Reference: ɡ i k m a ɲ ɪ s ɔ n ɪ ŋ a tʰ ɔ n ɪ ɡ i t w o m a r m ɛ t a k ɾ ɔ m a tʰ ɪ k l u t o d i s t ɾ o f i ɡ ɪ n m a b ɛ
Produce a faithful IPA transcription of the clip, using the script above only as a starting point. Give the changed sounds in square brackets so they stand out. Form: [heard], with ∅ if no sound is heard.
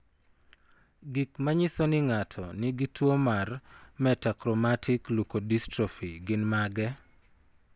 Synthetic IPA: ɡ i k m a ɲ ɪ s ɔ n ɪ ŋ a tʰ ɔ n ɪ ɡ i t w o m a r m ɛ t a k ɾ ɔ m a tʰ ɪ k l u [k] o d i s t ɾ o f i ɡ ɪ n m a [ɡ] ɛ